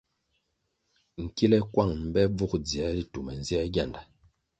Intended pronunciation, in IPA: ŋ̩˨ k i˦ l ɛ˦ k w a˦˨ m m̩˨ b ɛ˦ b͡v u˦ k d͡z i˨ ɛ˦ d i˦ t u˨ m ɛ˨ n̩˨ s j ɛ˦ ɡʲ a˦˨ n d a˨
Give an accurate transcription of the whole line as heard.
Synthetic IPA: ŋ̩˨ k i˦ l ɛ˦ k w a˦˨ ŋ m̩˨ b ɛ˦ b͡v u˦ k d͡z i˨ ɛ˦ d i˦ t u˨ m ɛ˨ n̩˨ z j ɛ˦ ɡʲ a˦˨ n d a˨